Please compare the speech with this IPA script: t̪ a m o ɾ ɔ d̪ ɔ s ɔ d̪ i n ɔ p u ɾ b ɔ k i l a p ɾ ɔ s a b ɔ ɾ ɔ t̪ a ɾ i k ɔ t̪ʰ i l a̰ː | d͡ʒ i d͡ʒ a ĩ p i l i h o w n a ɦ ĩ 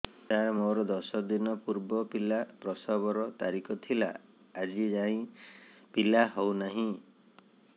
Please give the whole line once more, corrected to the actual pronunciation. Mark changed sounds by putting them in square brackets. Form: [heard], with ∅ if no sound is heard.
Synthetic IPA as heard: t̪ a m o ɾ ɔ d̪ ɔ s ɔ d̪ i n ɔ p u ɾ b ɔ [p] i l a p ɾ ɔ s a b ɔ ɾ ɔ t̪ a ɾ i k ɔ t̪ʰ i l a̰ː | d͡ʒ i d͡ʒ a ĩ p i l [a] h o w n a ɦ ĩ

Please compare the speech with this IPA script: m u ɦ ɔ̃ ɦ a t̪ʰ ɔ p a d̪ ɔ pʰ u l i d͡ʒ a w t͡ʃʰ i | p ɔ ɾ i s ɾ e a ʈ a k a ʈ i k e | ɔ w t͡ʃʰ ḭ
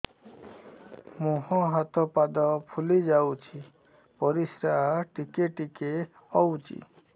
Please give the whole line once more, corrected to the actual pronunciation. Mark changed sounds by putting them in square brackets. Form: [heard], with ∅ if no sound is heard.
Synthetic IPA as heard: m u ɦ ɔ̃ ɦ a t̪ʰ ɔ p a d̪ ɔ pʰ u l i d͡ʒ a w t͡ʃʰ i | p ɔ ɾ i s ɾ [a] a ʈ [i] k [e] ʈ i k e | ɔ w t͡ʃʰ ḭ

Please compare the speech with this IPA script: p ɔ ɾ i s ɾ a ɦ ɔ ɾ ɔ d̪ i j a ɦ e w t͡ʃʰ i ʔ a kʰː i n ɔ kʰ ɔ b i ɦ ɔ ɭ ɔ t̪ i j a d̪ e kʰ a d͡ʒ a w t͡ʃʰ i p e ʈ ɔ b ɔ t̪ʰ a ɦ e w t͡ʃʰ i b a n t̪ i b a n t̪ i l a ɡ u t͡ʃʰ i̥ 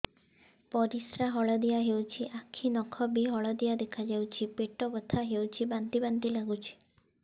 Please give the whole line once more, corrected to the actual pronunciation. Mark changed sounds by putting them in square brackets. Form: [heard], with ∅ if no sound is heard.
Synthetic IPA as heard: p ɔ ɾ i s ɾ a ɦ ɔ [ɭ] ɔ d̪ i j a ɦ e w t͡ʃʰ i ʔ a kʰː i n ɔ kʰ ɔ b i ɦ ɔ ɭ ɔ [d̪] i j a d̪ e kʰ a d͡ʒ a w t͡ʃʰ i p e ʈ ɔ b ɔ t̪ʰ a ɦ e w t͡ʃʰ i b a n t̪ i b a n t̪ i l a ɡ u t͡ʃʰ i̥

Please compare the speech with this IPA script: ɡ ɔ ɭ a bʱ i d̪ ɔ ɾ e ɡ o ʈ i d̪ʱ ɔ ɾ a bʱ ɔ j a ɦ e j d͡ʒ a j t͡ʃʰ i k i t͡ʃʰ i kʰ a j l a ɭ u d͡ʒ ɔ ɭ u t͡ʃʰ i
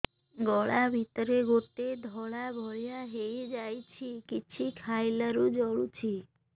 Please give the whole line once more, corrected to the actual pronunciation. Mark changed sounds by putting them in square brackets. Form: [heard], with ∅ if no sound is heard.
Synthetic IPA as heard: ɡ ɔ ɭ a bʱ i [t̪] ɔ ɾ e ɡ o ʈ [e] d̪ʱ ɔ [ɭ] a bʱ ɔ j a ɦ e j d͡ʒ a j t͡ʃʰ i k i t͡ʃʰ i kʰ a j l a [ɾ] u d͡ʒ ɔ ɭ u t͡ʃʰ i

